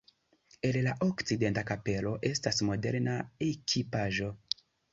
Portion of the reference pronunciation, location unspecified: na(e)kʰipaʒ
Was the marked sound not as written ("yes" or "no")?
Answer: no